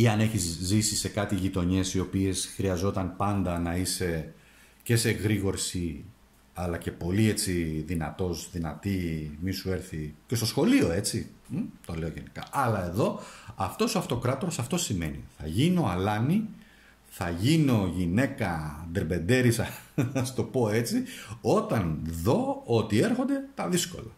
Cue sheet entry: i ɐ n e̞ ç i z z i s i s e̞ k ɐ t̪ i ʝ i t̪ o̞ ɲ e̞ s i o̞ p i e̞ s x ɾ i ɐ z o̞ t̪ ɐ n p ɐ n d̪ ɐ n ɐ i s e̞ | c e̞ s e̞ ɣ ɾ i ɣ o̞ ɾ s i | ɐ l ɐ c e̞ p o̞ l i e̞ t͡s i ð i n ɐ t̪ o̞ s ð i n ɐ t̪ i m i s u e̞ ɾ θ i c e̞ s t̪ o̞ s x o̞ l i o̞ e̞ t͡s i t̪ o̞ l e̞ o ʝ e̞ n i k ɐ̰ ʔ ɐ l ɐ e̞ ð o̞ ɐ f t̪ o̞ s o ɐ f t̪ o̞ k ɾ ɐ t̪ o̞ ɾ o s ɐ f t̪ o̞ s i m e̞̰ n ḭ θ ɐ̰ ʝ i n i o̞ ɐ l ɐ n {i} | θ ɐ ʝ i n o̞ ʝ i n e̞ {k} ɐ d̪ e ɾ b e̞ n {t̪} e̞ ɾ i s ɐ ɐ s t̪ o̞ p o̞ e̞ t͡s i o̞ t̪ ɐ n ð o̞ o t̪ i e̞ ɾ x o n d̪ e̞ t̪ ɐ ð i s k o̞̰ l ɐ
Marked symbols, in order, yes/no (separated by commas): yes, yes, no